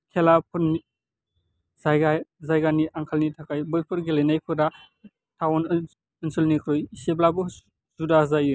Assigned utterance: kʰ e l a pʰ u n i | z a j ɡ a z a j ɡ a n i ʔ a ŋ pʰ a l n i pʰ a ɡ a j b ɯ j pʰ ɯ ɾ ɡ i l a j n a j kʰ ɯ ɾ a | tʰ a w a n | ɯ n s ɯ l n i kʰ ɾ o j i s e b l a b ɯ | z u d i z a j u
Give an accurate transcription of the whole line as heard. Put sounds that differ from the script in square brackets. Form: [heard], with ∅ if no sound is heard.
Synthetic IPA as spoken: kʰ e l a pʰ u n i | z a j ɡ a z a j ɡ a n i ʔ a ŋ [kʰ] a l n i [tʰ] a [k] a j b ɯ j pʰ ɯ ɾ ɡ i l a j n a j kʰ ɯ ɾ a | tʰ a w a n | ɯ n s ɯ l n i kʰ ɾ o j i s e b l a b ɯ | z u d [a] z a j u

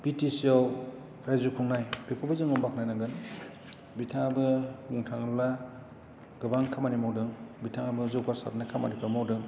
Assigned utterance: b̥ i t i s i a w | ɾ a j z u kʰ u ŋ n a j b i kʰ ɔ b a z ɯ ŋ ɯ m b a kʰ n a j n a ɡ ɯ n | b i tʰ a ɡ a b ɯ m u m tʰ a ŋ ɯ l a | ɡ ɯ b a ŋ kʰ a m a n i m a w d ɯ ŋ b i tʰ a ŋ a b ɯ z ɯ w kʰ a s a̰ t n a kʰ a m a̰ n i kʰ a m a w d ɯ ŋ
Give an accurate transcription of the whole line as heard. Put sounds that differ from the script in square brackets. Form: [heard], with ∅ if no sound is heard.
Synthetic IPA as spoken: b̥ i t i s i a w | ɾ a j z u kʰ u ŋ n a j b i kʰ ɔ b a z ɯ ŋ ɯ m b a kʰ n a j n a ɡ ɯ n | b i tʰ a [ŋ] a b ɯ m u [ŋ] tʰ a ŋ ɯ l a | ɡ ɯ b a ŋ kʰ a m a n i m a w d ɯ ŋ b i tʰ a ŋ a b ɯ z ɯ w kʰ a s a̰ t n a kʰ a m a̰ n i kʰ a m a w d ɯ ŋ

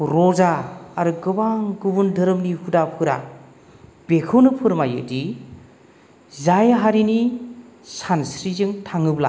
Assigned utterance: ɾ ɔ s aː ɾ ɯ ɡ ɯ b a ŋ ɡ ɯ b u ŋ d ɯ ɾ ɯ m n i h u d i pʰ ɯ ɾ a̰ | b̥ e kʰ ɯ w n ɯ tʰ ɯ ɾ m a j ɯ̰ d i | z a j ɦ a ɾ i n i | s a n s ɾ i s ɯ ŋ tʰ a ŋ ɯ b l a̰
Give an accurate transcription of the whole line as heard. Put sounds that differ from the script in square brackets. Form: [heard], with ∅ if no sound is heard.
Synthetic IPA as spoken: ɾ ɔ [z] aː ɾ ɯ ɡ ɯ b a ŋ ɡ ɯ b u [n] d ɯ ɾ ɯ m n i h u d [a] pʰ ɯ ɾ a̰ | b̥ e kʰ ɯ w n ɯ [pʰ] ɯ ɾ m a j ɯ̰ d i | z a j ɦ a ɾ i n i | s a n s ɾ i [z] ɯ ŋ tʰ a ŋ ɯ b l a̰

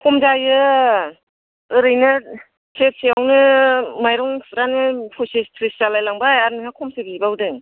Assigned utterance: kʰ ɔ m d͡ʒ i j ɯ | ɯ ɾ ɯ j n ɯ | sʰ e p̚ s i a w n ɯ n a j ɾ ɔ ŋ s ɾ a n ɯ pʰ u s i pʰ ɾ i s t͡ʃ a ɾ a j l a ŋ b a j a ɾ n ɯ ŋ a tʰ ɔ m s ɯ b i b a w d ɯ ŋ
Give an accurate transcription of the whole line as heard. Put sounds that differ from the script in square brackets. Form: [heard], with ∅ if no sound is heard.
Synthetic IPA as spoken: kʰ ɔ m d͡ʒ [a] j ɯ | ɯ ɾ ɯ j n ɯ | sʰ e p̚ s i a w n ɯ [m] a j ɾ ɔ ŋ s ɾ a n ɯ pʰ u s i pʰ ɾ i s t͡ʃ a [l] a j l a ŋ b a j a ɾ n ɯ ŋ a [kʰ] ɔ m s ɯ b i b a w d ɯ ŋ

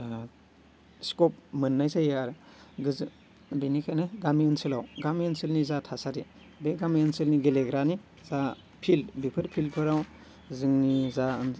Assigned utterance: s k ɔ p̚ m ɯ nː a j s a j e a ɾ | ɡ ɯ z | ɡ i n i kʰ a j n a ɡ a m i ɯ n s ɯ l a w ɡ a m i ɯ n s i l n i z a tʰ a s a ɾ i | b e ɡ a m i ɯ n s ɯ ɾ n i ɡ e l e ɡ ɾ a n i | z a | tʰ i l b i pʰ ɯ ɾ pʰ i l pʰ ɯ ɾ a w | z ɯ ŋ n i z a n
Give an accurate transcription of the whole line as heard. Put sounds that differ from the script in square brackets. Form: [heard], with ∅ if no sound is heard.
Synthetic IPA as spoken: s k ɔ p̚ m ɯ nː a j s a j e a ɾ | ɡ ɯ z | [b] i n i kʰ a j n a ɡ a m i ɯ n s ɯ l a w ɡ a m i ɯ n s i l n i z a tʰ a s a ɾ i | b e ɡ a m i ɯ n s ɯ [l] n i ɡ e l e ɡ ɾ a n i | z a | [pʰ] i l b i pʰ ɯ ɾ pʰ i l pʰ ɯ ɾ a w | z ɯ ŋ n i z a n

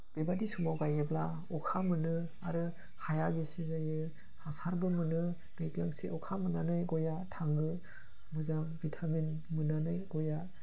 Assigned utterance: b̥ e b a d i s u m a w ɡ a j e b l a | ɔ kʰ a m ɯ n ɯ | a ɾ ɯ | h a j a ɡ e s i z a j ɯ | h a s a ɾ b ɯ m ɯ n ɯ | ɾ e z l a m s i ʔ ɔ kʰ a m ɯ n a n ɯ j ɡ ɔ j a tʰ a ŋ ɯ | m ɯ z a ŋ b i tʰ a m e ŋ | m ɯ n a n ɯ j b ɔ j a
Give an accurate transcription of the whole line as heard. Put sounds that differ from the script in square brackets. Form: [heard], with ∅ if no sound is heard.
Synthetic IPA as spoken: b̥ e b a d i s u m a w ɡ a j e b l a | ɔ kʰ a m ɯ n ɯ | a ɾ ɯ | h a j a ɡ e s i z a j ɯ | h a s a ɾ b ɯ m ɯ n ɯ | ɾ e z l a [ŋ] s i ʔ ɔ kʰ a m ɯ n a n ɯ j ɡ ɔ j a tʰ a ŋ ɯ | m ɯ z a ŋ b i tʰ a m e [n] | m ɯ n a n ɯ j [ɡ] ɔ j a

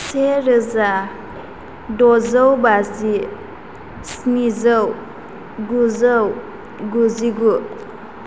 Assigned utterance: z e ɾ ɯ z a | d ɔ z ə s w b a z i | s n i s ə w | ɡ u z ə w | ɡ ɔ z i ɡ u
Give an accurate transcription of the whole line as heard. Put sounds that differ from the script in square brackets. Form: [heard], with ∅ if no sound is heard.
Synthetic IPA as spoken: [s] e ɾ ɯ z a | d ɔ z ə [∅] w b a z i | s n i [z] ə w | ɡ u z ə w | ɡ [u] z i ɡ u

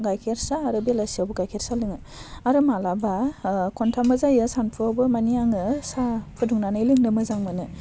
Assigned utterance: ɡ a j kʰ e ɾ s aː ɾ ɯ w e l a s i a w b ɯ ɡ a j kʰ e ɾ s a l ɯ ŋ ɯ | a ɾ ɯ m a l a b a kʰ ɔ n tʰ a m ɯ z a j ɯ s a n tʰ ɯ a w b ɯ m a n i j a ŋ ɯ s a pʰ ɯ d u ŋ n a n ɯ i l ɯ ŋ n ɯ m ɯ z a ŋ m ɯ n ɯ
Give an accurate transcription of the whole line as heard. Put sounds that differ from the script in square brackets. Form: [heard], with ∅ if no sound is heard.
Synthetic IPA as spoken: ɡ a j kʰ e ɾ s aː ɾ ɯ [b] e l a s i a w b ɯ ɡ a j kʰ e ɾ s a l ɯ ŋ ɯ | a ɾ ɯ m a l a b a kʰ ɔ n tʰ a m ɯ z a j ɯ s a n [pʰ] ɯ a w b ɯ m a n i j a ŋ ɯ s a pʰ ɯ d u ŋ n a n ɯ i l ɯ ŋ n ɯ m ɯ z a ŋ m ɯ n ɯ

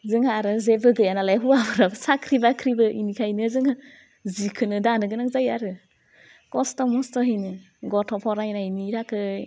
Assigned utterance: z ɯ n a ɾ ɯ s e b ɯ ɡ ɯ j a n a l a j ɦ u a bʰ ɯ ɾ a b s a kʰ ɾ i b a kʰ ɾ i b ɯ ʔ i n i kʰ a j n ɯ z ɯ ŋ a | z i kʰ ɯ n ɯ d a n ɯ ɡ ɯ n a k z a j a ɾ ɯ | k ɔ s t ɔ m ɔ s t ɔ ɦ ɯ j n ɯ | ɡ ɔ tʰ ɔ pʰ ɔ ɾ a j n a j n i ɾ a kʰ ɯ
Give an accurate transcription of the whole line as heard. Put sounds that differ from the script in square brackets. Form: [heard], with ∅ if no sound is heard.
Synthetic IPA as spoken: z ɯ [ŋ] a ɾ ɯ [z] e b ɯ ɡ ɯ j a n a l a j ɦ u a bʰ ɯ ɾ a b s a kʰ ɾ i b a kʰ ɾ i b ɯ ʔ i n i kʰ a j n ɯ z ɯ ŋ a | z i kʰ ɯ n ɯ d a n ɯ ɡ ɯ n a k z a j a ɾ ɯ | k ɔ s t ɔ m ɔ s t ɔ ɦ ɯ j n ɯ | ɡ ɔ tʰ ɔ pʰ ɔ ɾ a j n a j n i ɾ a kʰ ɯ

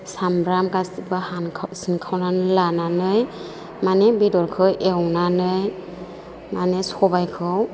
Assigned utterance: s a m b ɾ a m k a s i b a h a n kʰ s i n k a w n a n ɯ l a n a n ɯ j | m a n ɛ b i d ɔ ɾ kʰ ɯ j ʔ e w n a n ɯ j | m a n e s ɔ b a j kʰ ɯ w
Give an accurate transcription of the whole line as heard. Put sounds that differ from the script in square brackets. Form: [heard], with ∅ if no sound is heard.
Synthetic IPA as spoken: s a m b ɾ a m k a s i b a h a n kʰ s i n [kʰ] a w n a n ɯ l a n a n ɯ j | m a n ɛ b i d ɔ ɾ kʰ ɯ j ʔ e w n a n ɯ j | m a n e s ɔ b a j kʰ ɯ w

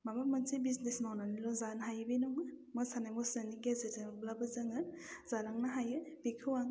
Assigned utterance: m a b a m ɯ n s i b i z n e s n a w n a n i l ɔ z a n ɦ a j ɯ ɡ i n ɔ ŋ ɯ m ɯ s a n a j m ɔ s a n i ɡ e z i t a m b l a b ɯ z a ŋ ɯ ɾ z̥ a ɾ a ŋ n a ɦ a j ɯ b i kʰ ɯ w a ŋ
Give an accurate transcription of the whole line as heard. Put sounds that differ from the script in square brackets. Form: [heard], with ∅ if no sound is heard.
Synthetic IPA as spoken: m a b a m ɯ n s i b i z n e s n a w n a n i l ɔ z a n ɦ a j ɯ [b] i n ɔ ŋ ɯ m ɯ s a n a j m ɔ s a n i ɡ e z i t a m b l a b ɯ z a ŋ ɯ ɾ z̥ a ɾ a ŋ n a ɦ a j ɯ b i kʰ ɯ w a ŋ

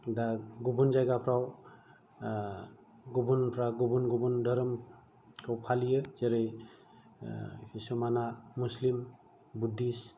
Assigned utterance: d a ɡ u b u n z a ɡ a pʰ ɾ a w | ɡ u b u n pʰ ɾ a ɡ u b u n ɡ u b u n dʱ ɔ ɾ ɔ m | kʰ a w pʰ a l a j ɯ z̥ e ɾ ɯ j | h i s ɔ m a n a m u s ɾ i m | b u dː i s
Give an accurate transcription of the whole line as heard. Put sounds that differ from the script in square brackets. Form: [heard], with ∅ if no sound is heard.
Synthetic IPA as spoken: d a ɡ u b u n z a ɡ a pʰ ɾ a w | ɡ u b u n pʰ ɾ a ɡ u b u n ɡ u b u n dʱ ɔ ɾ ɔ m | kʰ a w pʰ a l [i] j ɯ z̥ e ɾ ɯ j | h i s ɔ m a n a m u s [l] i m | b u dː i s

